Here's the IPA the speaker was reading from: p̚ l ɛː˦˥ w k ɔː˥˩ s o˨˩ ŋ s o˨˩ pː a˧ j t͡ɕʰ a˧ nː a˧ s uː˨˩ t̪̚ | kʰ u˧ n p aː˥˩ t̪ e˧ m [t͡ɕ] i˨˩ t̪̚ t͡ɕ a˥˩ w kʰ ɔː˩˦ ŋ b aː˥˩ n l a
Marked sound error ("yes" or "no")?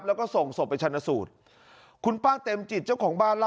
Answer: no